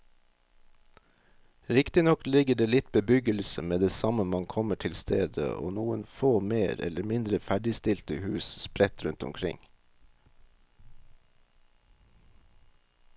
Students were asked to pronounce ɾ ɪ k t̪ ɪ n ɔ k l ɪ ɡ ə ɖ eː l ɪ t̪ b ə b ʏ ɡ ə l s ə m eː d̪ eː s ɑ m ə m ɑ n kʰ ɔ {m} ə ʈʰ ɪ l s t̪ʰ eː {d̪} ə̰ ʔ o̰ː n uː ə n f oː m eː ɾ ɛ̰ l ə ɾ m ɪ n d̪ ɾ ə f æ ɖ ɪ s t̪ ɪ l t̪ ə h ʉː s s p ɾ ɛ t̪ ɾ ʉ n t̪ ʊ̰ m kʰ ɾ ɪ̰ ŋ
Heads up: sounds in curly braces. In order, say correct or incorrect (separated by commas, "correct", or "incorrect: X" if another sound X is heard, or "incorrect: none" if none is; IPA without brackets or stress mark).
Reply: correct, correct